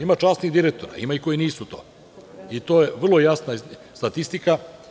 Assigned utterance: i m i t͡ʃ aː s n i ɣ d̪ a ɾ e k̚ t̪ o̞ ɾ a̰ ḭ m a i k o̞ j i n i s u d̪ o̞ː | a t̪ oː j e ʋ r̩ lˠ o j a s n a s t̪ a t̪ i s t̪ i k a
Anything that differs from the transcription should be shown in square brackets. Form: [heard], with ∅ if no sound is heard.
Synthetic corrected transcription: i m [a] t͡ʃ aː s n i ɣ d̪ [i] ɾ e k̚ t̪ o̞ ɾ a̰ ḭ m a i k o̞ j i n [iː] s u [t̪] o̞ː | [i] t̪ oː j e ʋ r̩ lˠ o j a s n a s t̪ a t̪ i s t̪ i k a